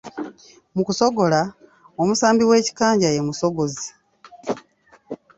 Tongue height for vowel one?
high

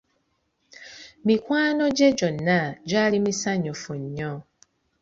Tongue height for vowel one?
high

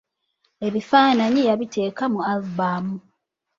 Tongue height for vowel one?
mid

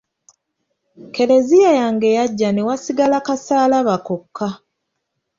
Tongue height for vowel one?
mid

